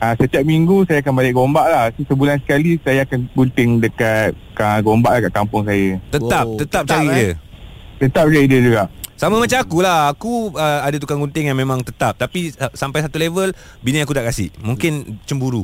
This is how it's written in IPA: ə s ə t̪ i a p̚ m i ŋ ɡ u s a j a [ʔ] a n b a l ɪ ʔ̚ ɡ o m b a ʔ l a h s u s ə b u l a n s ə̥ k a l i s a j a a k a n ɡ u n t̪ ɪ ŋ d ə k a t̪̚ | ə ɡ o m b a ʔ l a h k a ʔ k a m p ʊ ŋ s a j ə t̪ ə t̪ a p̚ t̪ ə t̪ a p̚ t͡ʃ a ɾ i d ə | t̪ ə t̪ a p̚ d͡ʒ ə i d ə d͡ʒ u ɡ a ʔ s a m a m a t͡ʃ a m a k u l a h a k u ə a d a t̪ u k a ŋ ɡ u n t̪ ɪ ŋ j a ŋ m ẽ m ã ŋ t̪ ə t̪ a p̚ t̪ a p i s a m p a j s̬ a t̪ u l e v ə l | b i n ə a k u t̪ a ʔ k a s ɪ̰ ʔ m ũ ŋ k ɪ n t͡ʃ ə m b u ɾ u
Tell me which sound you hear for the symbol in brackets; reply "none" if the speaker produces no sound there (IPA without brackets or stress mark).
k